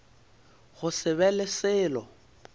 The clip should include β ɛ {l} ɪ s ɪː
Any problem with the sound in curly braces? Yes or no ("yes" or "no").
no